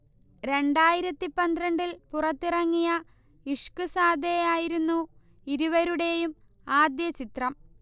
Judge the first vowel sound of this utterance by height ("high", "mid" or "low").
mid